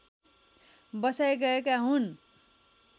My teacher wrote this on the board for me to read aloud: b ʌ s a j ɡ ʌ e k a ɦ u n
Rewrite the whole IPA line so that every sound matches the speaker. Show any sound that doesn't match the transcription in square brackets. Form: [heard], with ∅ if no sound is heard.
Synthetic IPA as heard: b ʌ s a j ɡ ʌ e k a ɦ u n